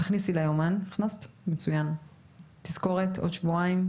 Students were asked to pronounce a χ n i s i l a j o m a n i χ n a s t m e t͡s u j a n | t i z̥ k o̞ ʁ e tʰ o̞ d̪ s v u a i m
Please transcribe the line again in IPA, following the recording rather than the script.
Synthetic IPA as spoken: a χ n i s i l a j o m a n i χ n a s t m e t͡s u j a n | t i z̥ k o̞ ʁ e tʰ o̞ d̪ ʃ v u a i m

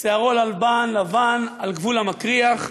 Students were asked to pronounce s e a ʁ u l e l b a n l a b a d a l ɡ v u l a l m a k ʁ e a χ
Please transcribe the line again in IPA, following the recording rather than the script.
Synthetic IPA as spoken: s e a ʁ o l a l b a n l a v a n a l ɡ v u l a m a k ʁ i a χ

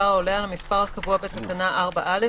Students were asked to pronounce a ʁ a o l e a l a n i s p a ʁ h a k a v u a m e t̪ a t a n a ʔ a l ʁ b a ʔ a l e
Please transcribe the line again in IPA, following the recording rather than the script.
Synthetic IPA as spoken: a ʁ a o l e a l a m i s p a ʁ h a k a v u a b e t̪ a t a n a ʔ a ʁ b a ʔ a l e

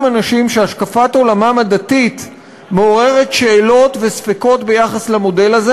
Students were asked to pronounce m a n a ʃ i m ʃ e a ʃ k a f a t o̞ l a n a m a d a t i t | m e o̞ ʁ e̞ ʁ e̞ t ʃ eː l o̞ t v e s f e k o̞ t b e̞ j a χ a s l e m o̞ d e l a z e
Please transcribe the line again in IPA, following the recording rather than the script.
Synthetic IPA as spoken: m a n a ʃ i m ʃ e a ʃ k a f a t o̞ l a m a m a d a t i t | m e o̞ ʁ e̞ ʁ e̞ t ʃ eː l o̞ t v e s f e k o̞ t b e̞ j a χ a s l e m o̞ d e l a z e

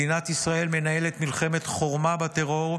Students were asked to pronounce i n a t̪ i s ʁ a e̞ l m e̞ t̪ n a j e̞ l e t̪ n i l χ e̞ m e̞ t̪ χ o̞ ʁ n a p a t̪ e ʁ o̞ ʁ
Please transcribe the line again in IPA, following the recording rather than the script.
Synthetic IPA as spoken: i n a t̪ i s ʁ a e̞ l m e̞ n a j e̞ l e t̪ m i l χ e̞ m e̞ t̪ χ o̞ ʁ m a b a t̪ e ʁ o̞ ʁ

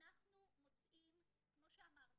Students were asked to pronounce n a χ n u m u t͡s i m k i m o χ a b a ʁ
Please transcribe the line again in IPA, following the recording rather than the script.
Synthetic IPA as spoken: n a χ n u m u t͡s i m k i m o ʃ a m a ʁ

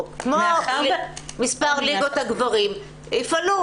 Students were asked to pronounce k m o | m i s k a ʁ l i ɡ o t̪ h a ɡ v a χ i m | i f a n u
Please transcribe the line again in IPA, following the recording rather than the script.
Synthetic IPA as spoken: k m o | m i s p a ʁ l i ɡ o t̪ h a ɡ v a ʁ i m | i f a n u

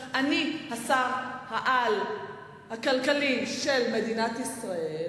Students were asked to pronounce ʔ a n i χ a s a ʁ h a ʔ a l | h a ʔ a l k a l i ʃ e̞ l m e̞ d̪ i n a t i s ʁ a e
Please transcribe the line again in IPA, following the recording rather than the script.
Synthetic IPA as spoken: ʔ a n i h a s a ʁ h a ʔ a l | h a k a l k a l i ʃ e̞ l m e̞ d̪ i n a t i s ʁ a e

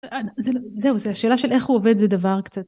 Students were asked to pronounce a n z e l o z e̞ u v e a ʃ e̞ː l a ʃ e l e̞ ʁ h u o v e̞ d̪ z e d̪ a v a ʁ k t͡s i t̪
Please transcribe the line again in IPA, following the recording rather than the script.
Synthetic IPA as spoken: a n z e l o z e̞ u z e a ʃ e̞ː l a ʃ e l e̞ χ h u o v e̞ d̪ z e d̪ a v a ʁ k t͡s a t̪

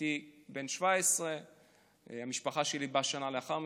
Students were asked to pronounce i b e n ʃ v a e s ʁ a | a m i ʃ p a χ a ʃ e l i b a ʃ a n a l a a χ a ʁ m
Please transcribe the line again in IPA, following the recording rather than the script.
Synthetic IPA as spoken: i b e n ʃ v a e s ʁ e | a m i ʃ p a χ a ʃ e l i b a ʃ a n a l e a χ a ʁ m

